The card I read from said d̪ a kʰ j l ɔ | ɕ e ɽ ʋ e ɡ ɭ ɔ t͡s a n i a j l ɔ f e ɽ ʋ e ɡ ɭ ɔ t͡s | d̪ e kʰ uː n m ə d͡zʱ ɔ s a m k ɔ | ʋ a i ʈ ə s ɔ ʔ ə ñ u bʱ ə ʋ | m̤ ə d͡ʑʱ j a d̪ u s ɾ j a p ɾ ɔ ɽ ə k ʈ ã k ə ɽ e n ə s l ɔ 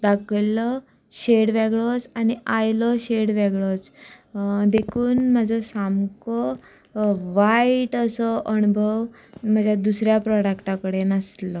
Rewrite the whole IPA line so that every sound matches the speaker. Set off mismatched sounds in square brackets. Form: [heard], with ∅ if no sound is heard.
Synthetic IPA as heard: d̪ a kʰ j l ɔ | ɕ e ɽ ʋ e ɡ ɭ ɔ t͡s a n i a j l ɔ [ɕ] e ɽ ʋ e ɡ ɭ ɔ t͡s | d̪ e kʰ uː n m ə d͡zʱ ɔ s a m k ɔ | ʋ a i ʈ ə s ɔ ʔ ə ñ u bʱ ə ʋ | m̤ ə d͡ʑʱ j a d̪ u s ɾ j a p ɾ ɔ ɽ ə k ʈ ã k ə ɽ e n ə s l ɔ